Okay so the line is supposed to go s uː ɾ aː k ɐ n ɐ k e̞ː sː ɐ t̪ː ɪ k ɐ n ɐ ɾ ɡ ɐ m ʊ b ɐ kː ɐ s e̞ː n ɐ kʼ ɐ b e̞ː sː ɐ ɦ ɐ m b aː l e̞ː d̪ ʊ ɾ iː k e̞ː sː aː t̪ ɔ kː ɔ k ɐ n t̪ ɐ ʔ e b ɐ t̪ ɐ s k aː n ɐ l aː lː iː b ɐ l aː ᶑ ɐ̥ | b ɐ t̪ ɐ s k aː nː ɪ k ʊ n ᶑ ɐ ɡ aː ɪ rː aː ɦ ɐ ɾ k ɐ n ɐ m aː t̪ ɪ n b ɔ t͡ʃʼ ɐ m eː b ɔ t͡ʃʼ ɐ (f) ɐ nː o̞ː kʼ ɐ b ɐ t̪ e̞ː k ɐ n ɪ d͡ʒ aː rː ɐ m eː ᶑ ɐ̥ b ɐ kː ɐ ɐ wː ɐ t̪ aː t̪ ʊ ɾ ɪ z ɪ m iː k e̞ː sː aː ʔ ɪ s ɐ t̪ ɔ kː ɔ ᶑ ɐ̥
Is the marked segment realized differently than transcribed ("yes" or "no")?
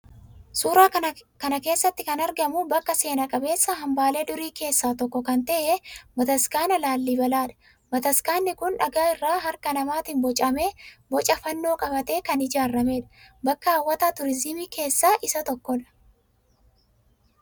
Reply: no